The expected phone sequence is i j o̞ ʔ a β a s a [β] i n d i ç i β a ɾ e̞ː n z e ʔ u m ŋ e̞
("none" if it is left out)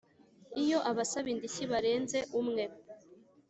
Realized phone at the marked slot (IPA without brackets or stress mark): β